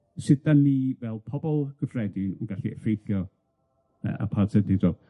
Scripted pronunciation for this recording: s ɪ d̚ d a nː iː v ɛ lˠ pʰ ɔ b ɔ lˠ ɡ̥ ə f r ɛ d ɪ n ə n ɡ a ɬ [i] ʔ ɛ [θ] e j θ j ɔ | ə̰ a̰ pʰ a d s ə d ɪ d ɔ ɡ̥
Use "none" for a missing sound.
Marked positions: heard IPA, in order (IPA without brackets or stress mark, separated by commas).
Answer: i, f